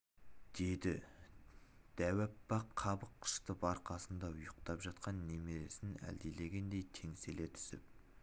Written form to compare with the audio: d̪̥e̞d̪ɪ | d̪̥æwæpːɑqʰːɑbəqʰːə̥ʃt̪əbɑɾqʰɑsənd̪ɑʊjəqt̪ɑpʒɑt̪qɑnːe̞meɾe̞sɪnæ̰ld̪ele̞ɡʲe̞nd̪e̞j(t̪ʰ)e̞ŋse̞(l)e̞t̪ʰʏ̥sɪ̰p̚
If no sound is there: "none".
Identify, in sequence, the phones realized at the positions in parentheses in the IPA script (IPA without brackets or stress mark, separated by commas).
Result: t̪ʰ, l